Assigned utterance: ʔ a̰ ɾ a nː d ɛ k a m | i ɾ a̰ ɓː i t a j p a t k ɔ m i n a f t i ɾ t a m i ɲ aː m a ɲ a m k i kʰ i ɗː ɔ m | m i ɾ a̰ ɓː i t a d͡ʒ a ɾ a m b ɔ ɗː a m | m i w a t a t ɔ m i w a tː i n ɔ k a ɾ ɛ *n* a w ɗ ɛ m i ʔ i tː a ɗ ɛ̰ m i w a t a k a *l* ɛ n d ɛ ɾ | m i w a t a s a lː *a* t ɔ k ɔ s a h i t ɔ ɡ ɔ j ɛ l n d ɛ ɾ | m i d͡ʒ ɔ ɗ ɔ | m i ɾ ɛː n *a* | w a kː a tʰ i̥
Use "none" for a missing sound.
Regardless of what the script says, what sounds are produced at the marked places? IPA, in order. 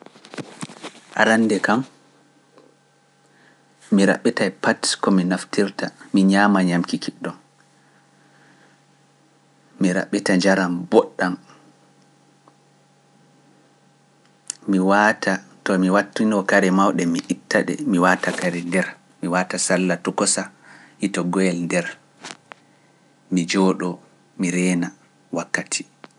m, ɾ, a, a

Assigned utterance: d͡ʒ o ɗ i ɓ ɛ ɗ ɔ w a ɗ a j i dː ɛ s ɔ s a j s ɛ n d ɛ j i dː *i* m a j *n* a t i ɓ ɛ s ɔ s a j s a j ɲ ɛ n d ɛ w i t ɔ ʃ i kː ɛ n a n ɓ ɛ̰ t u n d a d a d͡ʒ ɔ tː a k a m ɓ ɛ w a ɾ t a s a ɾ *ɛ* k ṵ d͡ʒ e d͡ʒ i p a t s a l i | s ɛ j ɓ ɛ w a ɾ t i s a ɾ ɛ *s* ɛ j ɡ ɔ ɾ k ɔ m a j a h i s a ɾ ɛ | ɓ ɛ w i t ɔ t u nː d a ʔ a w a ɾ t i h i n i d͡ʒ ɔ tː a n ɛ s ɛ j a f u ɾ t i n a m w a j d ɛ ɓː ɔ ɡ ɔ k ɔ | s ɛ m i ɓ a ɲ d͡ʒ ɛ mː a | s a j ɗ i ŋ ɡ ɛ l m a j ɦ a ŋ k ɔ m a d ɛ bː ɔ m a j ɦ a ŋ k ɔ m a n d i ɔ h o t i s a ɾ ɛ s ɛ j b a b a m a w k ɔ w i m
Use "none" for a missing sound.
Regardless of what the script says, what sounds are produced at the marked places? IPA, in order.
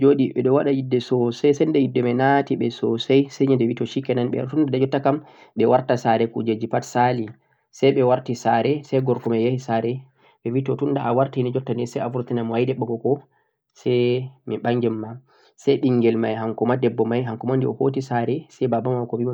ɛ, n, ɛ, s

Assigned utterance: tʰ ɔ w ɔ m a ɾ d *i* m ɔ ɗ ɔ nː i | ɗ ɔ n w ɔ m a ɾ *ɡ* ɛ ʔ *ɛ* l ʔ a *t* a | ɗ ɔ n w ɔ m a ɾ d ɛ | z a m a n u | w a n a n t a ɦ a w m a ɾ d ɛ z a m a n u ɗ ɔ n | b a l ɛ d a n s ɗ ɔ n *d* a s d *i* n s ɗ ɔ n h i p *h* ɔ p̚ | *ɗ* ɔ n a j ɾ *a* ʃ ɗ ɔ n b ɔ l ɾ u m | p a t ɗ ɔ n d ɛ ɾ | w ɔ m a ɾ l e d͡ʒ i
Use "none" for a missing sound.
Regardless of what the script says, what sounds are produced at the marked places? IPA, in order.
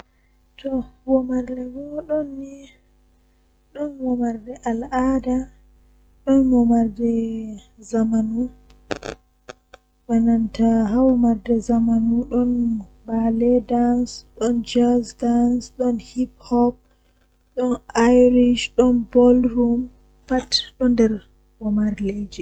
ɛ, d, a, d, d͡ʒ, a, h, ɗ, i

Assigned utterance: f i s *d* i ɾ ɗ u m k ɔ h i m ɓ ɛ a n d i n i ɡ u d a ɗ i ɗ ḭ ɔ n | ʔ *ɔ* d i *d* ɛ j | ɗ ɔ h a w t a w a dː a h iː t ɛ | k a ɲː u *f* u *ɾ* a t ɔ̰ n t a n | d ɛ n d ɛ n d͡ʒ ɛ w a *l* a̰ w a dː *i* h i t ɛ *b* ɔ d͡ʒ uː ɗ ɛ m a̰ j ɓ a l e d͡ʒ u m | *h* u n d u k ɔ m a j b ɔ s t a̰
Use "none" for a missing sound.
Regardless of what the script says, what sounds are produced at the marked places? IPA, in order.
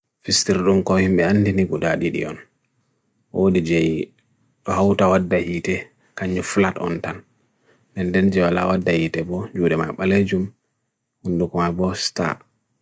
t, o, d͡ʒ, f, l, l, a, b, h

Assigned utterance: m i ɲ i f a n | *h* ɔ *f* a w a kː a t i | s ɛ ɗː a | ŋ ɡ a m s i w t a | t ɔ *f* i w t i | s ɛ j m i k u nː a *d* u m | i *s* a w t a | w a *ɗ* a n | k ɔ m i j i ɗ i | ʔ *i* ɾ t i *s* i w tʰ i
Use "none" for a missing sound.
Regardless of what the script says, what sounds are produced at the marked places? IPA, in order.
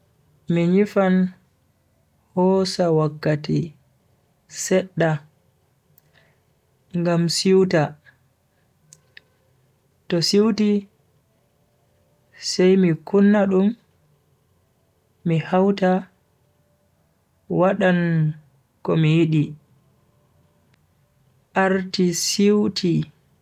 h, s, s, ɗ, h, ɗ, a, s

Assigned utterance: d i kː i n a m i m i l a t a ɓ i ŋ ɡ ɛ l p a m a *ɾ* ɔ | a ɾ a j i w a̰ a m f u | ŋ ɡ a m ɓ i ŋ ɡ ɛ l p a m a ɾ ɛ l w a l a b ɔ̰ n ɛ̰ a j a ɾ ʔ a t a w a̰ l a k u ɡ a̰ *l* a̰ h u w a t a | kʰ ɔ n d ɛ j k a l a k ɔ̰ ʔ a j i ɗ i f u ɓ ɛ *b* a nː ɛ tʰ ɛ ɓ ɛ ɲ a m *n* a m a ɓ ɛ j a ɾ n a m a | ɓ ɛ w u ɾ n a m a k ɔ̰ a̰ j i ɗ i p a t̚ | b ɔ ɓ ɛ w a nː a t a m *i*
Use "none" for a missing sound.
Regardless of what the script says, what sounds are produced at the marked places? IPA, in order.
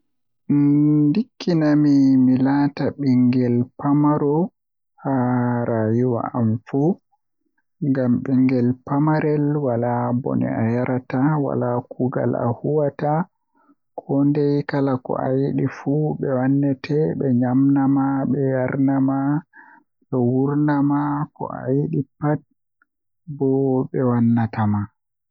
ɾ, l, w, n, a

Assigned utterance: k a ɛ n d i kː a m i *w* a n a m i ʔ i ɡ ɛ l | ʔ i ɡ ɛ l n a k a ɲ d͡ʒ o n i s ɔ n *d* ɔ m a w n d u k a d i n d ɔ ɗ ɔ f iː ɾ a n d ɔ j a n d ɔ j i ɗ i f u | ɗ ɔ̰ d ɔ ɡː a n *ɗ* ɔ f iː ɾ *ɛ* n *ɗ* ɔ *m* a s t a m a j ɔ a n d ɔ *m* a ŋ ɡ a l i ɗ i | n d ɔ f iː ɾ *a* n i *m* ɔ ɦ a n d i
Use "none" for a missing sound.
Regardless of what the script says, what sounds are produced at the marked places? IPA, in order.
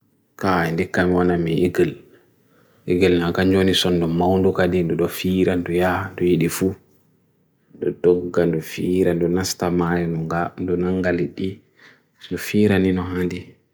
w, d, d, a, d, n, n, a, n

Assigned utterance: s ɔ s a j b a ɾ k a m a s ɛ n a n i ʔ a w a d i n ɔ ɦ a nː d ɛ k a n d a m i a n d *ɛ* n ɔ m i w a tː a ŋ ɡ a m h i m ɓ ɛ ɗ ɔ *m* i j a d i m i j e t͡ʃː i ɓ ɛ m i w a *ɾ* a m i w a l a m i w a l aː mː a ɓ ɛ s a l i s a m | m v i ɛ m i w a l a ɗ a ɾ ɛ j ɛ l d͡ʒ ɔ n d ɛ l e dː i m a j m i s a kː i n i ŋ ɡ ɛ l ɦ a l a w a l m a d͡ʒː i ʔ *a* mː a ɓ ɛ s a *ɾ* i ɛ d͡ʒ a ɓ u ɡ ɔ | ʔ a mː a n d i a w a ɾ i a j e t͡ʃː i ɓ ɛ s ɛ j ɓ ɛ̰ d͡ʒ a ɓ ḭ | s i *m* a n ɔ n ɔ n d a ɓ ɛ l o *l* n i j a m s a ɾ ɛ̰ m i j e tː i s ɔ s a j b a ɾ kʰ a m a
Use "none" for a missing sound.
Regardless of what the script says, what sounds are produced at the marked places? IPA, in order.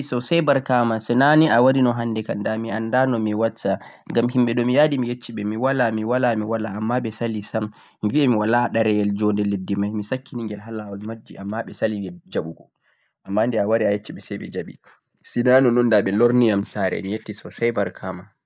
a, m, l, a, l, n, ɾ

